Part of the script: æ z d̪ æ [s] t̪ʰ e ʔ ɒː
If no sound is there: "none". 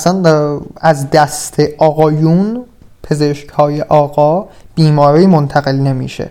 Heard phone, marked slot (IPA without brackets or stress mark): s